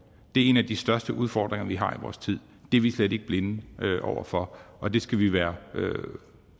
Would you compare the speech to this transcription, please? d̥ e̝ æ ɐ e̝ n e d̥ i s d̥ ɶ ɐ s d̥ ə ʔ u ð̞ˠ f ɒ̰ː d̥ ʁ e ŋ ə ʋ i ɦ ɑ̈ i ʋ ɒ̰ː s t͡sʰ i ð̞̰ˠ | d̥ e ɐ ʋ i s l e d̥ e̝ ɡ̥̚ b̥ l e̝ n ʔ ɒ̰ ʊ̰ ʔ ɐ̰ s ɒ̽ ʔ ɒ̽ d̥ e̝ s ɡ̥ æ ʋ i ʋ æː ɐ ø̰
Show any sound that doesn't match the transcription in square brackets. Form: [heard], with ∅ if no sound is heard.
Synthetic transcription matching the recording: d̥ e̝ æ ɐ e̝ n [æ] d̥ i s d̥ ɶ ɐ s d̥ ə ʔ u ð̞ˠ f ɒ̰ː d̥ ʁ e ŋ [ɐ] ʋ i ɦ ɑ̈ i ʋ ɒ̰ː s t͡sʰ i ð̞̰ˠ | d̥ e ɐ ʋ i s l e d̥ e̝ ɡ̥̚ b̥ l e̝ n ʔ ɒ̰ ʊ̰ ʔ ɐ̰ [f] ɒ̽ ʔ ɒ̽ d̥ e̝ s ɡ̥ æ ʋ i ʋ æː ɐ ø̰

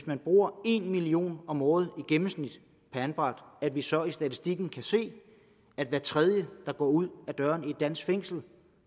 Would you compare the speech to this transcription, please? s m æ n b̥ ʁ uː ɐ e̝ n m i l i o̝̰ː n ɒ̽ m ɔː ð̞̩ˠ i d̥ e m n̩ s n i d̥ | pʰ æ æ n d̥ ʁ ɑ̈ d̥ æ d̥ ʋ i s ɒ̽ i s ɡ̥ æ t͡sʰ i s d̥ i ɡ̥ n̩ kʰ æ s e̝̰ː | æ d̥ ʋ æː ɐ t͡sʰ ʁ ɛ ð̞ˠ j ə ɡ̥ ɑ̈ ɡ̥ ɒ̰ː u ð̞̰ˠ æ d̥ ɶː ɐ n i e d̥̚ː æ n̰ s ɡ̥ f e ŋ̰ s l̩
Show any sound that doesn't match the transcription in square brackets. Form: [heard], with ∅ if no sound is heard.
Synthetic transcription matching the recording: s m æ n b̥ ʁ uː ɐ e̝ n m i l i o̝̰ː n ɒ̽ m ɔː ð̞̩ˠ i [ɡ̥] e m [m̩] s n i d̥ | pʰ æ æ n [b̥] ʁ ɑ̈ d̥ æ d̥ ʋ i s ɒ̽ i s [d̥] æ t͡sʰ i s d̥ i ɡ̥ n̩ kʰ æ s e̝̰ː | æ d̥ ʋ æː ɐ t͡sʰ ʁ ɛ ð̞ˠ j ə [d̥] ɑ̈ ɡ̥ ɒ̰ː u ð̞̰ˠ æ d̥ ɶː ɐ n i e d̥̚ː æ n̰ s ɡ̥ f e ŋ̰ s l̩

